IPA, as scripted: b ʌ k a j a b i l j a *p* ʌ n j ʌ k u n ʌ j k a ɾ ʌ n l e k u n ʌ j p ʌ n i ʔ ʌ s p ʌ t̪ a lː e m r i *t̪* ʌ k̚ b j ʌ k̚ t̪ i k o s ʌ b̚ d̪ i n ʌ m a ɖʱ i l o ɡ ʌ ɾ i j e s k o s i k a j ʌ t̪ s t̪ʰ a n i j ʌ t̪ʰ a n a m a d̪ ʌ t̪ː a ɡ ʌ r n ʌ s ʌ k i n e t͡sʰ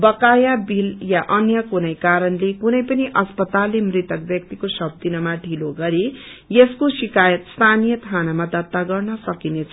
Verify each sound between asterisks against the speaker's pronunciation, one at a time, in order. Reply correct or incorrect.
incorrect, correct

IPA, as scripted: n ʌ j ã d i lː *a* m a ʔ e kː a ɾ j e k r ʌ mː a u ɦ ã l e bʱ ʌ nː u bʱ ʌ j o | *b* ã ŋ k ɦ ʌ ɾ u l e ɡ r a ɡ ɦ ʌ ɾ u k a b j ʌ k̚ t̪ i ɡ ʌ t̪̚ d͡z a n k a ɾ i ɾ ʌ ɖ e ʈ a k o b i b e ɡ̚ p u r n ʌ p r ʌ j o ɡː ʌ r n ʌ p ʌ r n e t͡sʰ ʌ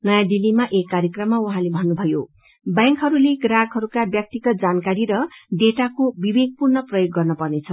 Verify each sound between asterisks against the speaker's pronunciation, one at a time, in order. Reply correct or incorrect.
incorrect, correct

